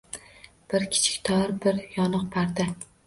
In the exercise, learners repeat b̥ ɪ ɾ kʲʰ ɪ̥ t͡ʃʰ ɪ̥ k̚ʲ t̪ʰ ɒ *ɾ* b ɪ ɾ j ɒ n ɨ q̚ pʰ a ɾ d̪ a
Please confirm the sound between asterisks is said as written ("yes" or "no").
yes